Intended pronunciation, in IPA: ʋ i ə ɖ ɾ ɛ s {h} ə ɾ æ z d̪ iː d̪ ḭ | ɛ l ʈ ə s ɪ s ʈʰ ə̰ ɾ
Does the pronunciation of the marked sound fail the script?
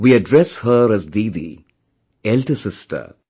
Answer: no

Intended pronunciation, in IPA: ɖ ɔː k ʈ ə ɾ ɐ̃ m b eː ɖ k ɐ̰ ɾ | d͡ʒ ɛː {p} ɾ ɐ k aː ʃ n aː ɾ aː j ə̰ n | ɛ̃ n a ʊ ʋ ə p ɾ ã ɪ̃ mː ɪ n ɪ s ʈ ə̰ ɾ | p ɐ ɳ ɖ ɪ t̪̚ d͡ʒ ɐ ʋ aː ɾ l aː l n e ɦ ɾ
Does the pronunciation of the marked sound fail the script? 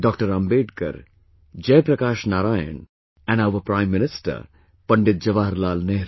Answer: no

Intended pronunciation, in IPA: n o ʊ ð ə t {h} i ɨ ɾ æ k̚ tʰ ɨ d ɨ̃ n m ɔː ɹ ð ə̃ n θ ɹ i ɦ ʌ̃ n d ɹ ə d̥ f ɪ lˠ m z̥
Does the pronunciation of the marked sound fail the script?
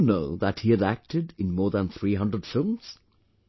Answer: no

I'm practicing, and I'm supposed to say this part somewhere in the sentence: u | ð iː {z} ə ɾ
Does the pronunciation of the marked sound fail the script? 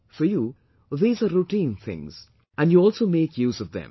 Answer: no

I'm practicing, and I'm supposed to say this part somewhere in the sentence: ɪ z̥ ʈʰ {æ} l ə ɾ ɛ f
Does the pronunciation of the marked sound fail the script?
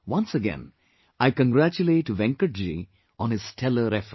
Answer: yes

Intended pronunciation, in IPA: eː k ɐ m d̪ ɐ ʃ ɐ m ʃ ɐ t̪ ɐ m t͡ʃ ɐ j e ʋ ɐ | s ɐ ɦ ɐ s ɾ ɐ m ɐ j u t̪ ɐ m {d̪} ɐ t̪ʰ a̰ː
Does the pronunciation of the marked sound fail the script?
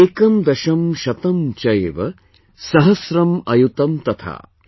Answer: yes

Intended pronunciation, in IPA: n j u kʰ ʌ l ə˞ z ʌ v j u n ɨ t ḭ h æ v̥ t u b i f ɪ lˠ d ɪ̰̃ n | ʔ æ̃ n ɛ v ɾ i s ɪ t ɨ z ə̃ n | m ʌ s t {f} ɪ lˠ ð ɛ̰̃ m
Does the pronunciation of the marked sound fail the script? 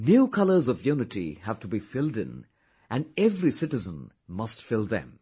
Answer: no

